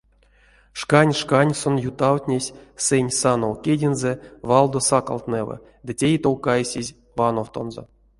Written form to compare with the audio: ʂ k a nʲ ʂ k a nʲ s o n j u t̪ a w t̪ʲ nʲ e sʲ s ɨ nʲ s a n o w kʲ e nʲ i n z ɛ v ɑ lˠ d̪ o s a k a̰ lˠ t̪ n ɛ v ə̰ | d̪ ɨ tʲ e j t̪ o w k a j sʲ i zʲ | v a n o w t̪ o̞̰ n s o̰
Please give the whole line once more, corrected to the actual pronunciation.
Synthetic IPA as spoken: ʂ k a nʲ ʂ k a nʲ s o n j u t̪ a w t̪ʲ nʲ e sʲ s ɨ nʲ s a n o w kʲ e dʲ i n z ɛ v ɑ lˠ d̪ o s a k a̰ lˠ t̪ n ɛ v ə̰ | d̪ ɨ tʲ e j t̪ o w k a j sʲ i zʲ | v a n o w t̪ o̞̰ n z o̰

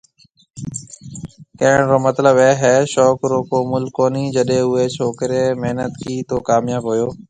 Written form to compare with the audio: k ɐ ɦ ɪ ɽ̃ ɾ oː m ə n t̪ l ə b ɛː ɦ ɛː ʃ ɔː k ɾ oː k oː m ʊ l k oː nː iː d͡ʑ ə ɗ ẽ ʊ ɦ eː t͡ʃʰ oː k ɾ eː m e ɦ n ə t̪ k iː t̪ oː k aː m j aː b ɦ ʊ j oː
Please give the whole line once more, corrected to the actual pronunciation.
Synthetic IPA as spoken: k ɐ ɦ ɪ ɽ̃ ɾ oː m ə t̪ l ə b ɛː ɦ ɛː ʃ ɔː k ɾ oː k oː m ʊ l k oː n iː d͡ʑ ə ɗ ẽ ʊ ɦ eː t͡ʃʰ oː k ɾ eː m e ɦ n ə t̪ k iː t̪ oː k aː m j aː b ɦ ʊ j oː

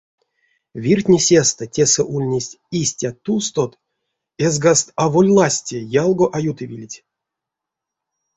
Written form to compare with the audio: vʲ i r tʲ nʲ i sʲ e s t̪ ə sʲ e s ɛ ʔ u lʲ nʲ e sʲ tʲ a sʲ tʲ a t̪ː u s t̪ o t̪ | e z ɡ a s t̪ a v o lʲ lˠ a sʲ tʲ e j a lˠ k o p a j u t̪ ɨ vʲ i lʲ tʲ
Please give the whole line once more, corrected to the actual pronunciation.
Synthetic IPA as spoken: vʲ i r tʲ nʲ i sʲ e s t̪ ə tʲ e s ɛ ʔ u lʲ nʲ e sʲ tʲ i sʲ tʲ a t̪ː u s t̪ o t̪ | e z ɡ a s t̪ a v o lʲ lˠ a sʲ tʲ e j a lˠ ɡ o ʔ a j u t̪ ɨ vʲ i lʲ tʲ

